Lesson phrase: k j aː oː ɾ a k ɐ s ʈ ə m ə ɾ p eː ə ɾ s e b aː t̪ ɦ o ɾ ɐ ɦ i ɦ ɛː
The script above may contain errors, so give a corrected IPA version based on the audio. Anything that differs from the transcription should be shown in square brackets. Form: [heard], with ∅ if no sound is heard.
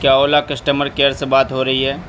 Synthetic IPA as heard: k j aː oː [l] a k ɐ s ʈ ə m ə ɾ [k] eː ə ɾ s e b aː t̪ ɦ o ɾ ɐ ɦ i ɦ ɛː